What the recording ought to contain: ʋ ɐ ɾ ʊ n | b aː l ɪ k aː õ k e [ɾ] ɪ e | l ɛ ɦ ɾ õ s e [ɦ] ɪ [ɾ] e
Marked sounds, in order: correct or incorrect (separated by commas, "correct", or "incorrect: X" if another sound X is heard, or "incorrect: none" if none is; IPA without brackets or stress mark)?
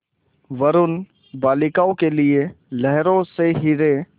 incorrect: l, correct, correct